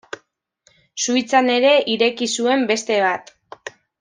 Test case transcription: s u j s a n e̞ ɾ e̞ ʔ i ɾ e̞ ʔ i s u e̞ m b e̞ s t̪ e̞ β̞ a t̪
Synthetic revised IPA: s u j t͡s a n e̞ ɾ e̞ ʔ i ɾ e̞ k i s u e̞ m b e̞ s t̪ e̞ β̞ a t̪